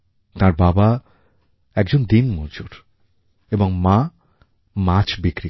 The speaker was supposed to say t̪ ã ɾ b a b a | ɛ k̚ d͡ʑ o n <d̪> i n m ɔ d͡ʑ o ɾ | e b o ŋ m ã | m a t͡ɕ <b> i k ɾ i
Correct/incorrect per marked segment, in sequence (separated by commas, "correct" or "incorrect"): correct, correct